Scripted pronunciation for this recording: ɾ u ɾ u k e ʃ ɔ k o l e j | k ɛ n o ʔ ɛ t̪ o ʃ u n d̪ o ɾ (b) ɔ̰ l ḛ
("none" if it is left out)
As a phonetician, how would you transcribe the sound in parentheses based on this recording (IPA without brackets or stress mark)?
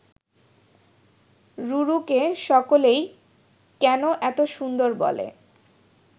b